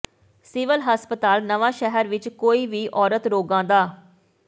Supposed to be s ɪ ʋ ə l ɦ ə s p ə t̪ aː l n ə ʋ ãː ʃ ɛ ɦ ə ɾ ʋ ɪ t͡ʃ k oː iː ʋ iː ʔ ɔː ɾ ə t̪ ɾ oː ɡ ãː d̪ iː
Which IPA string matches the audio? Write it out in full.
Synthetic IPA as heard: s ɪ ʋ ə l ɦ ə s p ə t̪ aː l n ə ʋ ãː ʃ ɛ ɦ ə ɾ ʋ ɪ t͡ʃ k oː iː ʋ iː ʔ ɔː ɾ ə t̪ ɾ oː ɡ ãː d̪ aː